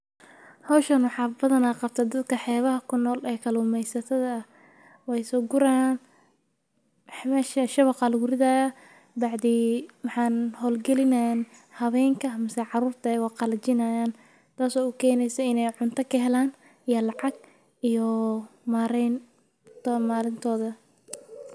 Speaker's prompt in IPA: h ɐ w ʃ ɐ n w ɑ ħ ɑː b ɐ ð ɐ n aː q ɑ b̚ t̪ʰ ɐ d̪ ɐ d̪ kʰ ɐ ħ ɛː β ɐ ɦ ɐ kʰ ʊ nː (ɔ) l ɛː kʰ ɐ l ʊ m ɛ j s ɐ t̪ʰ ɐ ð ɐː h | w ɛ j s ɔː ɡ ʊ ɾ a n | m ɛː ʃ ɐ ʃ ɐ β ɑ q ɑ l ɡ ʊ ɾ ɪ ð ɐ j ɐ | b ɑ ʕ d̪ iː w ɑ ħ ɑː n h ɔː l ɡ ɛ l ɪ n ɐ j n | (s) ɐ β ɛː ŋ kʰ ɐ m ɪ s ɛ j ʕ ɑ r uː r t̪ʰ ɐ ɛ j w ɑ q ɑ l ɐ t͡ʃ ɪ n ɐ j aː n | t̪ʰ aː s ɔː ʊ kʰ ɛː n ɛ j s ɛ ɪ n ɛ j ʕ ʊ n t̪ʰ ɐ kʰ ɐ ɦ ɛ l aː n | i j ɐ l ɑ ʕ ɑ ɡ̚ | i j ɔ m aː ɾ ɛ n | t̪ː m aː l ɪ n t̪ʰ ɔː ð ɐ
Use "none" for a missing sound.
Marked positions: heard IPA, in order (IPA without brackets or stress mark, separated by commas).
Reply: ɔː, h